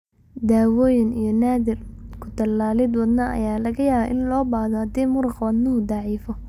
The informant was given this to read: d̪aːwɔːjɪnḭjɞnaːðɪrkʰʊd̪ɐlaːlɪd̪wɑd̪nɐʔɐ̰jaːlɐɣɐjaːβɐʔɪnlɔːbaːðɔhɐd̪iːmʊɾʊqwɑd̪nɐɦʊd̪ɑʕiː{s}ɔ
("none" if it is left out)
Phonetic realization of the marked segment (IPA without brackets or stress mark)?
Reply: f